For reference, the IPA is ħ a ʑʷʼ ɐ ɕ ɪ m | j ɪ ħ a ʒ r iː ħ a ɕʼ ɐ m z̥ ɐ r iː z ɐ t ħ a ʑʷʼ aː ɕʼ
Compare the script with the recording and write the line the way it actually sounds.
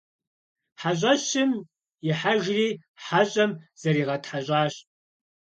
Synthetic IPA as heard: ħ a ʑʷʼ ɐ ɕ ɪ m | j ɪ ħ a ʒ r iː ħ a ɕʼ ɐ m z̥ ɐ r iː ʁ ɐ t ħ a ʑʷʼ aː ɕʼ